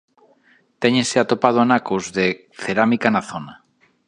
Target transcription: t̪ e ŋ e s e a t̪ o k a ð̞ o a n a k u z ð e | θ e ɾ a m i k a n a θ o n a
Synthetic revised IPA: t̪ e ɲ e s e a t̪ o p a ð̞ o a n a k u z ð e | θ e ɾ a m i k a n a θ o n a